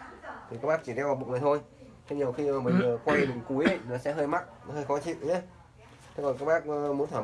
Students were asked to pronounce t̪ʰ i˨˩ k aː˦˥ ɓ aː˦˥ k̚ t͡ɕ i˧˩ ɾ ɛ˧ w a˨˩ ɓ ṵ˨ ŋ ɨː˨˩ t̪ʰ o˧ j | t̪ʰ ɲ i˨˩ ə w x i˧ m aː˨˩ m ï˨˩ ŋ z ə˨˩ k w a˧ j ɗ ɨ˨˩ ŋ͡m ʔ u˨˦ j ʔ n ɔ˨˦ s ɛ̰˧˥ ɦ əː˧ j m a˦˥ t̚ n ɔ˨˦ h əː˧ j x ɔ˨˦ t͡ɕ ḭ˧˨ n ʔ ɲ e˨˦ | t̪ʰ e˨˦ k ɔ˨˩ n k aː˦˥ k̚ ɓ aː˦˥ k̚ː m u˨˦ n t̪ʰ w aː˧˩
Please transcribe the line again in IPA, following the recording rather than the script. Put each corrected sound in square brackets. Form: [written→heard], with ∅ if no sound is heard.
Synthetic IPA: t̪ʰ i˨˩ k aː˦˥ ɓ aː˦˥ k̚ t͡ɕ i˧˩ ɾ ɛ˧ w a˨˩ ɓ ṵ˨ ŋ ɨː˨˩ t̪ʰ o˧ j | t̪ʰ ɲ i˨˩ ə w x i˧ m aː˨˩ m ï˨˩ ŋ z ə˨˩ k w a˧ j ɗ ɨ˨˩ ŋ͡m [ʔ→k] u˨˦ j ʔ n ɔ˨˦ s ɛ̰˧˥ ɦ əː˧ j m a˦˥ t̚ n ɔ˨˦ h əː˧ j x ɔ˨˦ t͡ɕ ḭ˧˨ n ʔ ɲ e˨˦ | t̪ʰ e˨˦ k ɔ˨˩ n k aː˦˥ k̚ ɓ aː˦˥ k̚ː m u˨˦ n t̪ʰ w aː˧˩